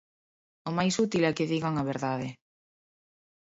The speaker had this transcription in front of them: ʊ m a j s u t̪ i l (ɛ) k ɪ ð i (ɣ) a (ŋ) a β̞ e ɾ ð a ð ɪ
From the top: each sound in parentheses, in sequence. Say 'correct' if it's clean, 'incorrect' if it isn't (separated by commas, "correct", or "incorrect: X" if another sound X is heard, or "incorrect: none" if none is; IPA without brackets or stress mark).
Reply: correct, correct, correct